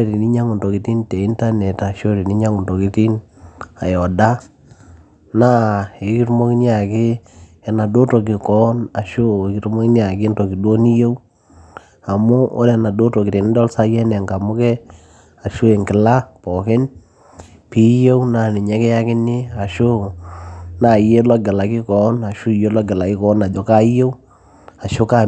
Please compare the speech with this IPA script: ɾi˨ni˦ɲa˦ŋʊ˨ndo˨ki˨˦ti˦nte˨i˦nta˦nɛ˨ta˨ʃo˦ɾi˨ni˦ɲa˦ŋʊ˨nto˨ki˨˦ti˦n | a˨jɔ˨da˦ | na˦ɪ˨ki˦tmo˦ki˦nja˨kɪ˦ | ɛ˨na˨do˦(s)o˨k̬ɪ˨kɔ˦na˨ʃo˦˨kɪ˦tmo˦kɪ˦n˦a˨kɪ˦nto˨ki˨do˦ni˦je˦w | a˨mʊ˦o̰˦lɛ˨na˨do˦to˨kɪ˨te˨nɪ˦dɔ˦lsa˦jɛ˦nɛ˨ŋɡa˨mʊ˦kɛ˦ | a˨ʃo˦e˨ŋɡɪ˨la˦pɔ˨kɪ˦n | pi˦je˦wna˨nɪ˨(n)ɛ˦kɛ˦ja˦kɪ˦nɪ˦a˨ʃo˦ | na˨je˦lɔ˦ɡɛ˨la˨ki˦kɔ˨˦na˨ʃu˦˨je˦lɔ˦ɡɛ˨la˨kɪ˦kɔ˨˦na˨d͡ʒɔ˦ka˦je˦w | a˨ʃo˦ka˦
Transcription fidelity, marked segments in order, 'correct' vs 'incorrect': incorrect, incorrect

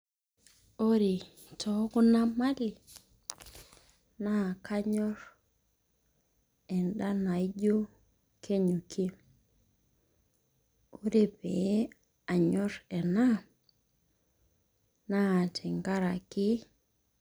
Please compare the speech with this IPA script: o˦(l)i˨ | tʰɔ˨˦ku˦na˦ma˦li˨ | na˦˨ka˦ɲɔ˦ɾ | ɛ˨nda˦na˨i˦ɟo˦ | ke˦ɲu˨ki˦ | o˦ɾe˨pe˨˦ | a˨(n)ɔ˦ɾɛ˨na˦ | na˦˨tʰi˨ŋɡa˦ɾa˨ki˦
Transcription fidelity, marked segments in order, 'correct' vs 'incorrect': incorrect, incorrect

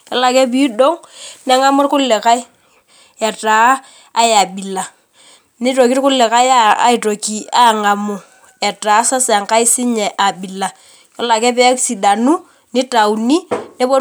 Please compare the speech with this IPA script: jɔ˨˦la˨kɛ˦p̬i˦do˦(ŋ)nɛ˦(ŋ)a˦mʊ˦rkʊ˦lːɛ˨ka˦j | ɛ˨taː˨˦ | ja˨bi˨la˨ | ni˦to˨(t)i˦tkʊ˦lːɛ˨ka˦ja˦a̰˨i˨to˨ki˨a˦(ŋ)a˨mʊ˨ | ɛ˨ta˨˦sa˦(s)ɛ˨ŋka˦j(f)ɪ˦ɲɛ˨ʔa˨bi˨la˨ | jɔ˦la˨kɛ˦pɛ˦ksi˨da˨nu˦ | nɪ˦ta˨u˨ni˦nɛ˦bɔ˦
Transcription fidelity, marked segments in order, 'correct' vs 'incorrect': correct, correct, incorrect, correct, correct, incorrect

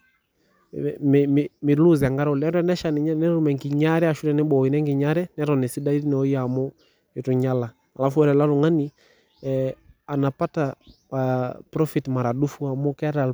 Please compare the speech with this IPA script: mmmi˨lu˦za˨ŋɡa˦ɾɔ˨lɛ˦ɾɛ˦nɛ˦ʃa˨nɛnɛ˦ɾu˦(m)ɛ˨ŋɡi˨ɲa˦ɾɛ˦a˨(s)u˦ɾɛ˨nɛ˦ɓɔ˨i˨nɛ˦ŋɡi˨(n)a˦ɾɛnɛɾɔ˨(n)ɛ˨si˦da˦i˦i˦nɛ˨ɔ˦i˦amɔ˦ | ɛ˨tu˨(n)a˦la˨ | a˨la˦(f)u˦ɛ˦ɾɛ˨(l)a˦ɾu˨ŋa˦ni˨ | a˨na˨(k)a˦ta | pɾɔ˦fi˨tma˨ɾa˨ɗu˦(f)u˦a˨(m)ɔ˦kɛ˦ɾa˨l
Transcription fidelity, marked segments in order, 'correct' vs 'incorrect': correct, incorrect, incorrect, correct, incorrect, correct, correct, incorrect, correct, correct

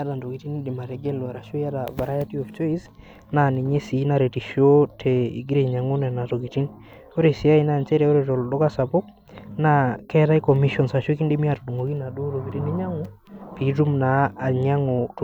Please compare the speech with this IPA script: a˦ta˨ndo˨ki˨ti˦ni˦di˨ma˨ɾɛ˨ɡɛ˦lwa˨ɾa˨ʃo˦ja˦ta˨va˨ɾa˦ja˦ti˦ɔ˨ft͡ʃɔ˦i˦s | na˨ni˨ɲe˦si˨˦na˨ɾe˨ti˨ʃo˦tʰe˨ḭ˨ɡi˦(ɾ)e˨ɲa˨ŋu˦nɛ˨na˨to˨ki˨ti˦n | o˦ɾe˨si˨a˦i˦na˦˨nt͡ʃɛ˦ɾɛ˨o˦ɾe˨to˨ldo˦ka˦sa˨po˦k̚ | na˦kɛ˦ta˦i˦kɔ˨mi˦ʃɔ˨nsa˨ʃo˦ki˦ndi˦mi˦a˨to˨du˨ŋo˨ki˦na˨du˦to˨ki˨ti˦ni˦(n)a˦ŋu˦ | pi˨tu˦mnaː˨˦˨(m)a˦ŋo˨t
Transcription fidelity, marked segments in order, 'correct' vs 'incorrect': correct, incorrect, incorrect

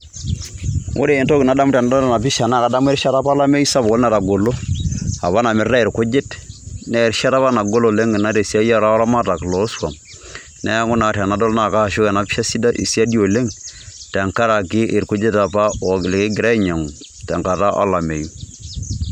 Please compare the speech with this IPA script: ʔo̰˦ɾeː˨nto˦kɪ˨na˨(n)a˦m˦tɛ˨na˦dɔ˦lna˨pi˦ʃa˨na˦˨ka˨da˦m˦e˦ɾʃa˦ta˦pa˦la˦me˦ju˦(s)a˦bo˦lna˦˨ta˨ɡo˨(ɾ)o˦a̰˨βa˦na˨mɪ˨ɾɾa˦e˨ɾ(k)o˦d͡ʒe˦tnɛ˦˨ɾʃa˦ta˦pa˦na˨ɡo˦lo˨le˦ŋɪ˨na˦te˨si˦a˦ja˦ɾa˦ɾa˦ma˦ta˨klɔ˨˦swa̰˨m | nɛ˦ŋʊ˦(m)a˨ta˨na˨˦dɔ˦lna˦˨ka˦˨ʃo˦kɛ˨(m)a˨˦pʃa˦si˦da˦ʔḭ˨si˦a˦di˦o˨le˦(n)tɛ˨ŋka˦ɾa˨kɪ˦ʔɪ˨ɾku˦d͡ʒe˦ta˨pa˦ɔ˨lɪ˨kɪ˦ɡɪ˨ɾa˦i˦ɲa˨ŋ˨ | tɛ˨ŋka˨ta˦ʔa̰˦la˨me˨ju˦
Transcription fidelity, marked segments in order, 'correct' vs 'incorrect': incorrect, correct, incorrect, correct, incorrect, incorrect, incorrect

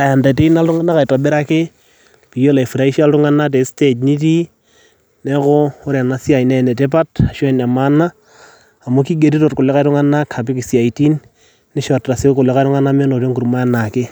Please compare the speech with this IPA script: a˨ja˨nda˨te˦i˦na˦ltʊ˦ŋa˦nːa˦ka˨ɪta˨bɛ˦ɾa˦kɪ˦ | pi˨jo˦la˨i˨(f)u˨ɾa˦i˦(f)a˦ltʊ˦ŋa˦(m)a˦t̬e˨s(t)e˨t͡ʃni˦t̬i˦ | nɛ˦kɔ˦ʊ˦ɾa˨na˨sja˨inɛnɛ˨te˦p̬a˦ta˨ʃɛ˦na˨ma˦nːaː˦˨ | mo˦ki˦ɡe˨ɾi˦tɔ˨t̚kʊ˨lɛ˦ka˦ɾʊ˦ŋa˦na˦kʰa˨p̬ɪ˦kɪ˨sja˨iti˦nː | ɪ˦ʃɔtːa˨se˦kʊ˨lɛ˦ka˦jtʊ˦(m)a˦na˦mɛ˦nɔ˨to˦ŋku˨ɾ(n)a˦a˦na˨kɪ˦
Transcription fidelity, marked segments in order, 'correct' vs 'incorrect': correct, incorrect, incorrect, correct, incorrect, incorrect

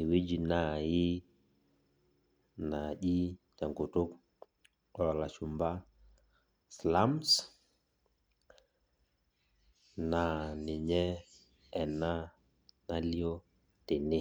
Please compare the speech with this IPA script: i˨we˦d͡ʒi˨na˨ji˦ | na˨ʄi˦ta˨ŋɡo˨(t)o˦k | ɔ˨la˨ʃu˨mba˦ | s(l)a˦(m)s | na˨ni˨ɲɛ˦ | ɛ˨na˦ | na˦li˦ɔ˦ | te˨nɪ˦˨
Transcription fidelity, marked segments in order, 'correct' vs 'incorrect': correct, correct, correct

